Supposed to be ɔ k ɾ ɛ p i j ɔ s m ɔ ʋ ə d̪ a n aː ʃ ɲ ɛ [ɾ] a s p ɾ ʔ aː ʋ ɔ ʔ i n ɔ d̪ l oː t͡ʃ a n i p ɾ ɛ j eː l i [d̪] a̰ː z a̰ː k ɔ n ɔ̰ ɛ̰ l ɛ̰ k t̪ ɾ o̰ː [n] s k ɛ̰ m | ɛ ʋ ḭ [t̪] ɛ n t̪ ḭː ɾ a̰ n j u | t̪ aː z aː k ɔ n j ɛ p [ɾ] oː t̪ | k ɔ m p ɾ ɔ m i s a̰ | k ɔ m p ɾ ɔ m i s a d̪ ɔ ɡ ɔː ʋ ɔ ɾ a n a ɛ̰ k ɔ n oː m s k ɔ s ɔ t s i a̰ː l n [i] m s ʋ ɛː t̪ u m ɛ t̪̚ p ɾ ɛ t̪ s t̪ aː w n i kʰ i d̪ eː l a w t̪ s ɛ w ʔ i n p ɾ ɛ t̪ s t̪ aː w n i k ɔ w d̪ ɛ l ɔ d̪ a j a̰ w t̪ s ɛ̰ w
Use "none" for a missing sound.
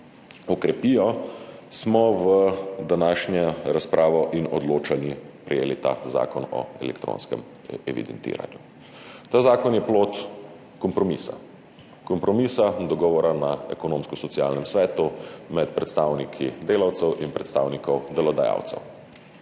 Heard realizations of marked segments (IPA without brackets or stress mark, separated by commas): ɾ, t̪, n, d̪, l, ɛ